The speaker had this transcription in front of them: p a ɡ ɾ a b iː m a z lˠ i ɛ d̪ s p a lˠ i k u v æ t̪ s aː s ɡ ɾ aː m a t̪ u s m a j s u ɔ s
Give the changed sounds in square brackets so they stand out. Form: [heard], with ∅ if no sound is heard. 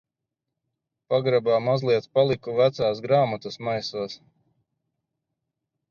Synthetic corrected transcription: p a ɡ ɾ a b [aː] m a z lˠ i ɛ [t̪] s p a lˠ i k u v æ t̪ s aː s ɡ ɾ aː m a t̪ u s m a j s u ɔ s